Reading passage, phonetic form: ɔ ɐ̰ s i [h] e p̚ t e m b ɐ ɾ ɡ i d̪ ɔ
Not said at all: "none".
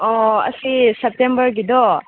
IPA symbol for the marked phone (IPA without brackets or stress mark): s